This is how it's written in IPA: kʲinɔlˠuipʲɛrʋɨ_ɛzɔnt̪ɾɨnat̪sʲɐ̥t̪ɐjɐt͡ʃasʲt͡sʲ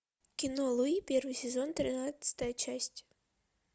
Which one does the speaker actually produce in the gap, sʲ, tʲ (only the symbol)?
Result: sʲ